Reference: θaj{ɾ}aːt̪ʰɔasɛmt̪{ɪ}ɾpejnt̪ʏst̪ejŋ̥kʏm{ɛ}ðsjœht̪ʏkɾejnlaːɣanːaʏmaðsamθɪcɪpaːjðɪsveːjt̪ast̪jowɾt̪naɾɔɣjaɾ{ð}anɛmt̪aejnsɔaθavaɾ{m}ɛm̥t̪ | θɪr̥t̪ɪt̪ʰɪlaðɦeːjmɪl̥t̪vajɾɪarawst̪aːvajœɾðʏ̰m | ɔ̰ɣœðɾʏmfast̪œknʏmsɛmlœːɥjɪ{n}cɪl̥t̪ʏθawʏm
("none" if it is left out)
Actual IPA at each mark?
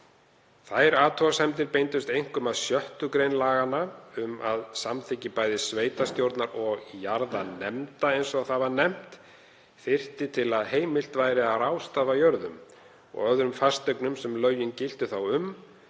ɾ, ɪ, a, ð, n, n

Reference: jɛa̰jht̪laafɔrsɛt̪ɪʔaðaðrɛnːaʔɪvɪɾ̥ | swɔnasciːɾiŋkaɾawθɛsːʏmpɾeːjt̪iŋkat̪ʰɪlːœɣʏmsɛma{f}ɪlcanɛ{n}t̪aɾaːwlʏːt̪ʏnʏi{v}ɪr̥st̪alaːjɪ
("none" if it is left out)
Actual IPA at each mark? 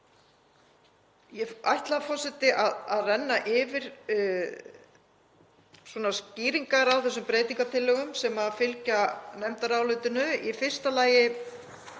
f, m, f

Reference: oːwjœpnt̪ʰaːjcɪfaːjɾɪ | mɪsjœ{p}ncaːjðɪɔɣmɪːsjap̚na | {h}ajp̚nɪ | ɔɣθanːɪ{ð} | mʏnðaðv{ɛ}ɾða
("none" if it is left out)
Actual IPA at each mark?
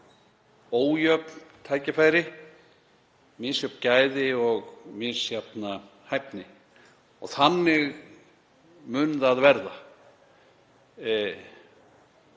p, h, ɣ, ɛ

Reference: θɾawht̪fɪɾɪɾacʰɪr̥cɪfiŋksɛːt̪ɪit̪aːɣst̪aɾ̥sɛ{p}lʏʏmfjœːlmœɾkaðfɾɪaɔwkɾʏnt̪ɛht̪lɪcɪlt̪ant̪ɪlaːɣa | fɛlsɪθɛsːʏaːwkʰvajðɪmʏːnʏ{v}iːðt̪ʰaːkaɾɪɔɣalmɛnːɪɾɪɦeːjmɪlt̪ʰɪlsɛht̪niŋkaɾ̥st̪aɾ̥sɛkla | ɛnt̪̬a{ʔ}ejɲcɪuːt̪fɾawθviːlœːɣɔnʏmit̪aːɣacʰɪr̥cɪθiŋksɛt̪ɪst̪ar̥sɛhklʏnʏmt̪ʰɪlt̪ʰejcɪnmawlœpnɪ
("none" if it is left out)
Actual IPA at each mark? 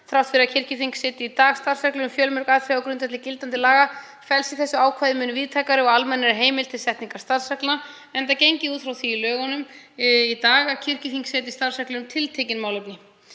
k, v, c

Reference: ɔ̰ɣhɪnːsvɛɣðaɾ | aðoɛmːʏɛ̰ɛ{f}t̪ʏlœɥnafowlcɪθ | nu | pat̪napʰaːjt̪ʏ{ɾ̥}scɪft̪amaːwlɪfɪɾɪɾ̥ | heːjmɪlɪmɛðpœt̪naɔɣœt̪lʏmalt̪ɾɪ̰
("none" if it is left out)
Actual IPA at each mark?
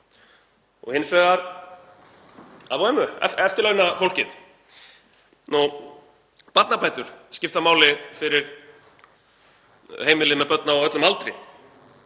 f, ɾ̥

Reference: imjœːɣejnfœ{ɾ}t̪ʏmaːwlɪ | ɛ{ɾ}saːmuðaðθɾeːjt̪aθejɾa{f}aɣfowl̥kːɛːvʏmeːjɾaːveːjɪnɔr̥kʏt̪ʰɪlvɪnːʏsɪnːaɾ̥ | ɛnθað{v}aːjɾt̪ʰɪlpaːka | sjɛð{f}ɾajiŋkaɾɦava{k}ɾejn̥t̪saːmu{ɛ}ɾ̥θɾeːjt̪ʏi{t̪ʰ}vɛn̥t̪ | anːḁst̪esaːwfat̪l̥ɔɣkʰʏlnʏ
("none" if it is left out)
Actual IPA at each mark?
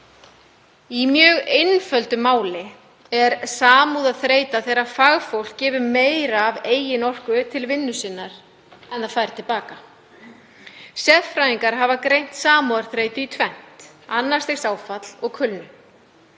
l, ɾ, f, f, f, k, a, t̪ʰ

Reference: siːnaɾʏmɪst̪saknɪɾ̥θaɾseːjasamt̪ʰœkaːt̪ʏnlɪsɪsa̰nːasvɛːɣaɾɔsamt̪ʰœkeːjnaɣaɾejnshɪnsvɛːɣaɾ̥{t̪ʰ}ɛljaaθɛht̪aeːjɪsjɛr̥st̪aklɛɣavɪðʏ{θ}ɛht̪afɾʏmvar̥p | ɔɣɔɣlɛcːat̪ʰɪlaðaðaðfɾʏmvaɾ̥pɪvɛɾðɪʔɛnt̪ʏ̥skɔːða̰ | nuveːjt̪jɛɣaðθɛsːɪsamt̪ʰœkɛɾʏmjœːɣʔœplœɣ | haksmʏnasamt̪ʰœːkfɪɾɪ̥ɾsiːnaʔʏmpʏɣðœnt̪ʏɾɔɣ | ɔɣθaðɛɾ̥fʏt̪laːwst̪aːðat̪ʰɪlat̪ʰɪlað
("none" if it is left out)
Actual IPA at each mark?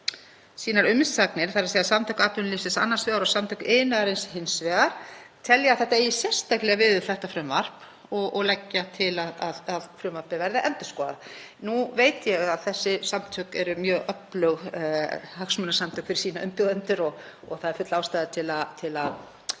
t̪ʰ, θ

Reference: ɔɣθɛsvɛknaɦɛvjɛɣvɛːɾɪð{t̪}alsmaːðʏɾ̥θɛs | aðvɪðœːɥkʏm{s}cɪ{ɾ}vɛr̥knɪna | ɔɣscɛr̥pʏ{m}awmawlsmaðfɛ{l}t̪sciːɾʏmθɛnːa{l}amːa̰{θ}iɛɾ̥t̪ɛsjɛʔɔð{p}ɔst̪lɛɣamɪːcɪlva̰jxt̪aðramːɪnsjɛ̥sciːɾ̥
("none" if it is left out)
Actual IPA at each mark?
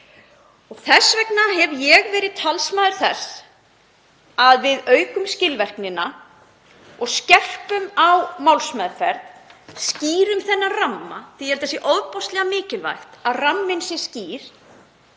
t̪ʰ, s, l, m, ɾ, r, θ, p

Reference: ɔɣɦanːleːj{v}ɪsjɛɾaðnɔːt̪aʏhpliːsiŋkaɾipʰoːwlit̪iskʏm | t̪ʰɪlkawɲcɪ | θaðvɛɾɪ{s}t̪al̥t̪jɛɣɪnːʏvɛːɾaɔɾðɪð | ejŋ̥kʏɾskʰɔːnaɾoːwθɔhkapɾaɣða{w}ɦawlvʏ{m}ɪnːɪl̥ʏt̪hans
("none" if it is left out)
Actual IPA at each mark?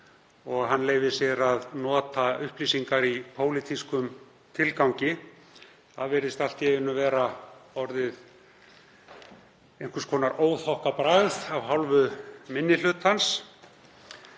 v, s, v, m

